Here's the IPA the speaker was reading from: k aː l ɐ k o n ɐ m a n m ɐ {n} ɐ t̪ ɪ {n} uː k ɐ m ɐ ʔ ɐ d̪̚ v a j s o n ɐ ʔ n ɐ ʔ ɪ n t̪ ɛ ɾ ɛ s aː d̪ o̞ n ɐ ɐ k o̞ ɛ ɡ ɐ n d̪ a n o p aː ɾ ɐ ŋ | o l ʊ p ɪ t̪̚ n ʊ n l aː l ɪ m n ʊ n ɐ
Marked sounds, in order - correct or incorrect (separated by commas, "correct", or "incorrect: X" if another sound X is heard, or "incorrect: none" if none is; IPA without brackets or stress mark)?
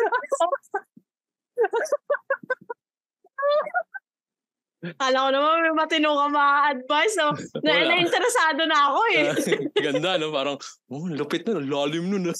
incorrect: m, correct